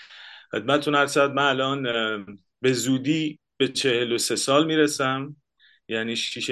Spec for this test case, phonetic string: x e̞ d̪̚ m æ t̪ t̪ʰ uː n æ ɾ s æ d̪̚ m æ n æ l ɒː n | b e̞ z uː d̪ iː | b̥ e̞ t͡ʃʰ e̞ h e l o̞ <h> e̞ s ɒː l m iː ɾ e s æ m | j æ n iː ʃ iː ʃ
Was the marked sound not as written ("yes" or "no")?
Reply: yes